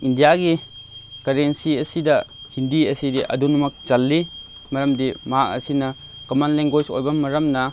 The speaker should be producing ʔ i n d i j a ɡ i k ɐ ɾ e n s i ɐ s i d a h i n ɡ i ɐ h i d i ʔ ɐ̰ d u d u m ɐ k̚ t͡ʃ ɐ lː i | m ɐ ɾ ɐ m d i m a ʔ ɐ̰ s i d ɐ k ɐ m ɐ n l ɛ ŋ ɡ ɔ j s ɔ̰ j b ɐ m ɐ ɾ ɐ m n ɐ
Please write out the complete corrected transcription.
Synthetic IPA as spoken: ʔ i n d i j a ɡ i k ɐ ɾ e n s i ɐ s i d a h i n d i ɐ s i d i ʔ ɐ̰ d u n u m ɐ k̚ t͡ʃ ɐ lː i | m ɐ ɾ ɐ m d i m a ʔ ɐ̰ s i n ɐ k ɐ m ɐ n l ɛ ŋ ɡ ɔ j s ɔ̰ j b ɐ m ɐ ɾ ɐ m n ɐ